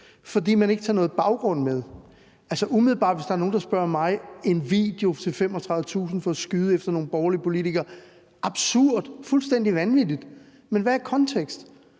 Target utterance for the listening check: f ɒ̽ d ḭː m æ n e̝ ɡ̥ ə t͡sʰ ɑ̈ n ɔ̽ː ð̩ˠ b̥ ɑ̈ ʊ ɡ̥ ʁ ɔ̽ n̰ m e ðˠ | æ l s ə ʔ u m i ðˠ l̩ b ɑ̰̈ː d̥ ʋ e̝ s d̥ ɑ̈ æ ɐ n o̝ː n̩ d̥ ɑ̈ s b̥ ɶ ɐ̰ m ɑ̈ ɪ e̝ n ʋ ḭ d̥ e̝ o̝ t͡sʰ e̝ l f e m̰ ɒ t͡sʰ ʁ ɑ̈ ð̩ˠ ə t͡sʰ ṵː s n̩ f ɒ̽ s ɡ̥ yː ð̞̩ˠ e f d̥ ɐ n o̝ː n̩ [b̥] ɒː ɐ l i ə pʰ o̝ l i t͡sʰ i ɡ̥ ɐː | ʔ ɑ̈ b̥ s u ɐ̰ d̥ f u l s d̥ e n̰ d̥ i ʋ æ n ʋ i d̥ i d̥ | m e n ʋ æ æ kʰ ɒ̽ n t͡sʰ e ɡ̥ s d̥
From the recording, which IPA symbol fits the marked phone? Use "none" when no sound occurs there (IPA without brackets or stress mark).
b̥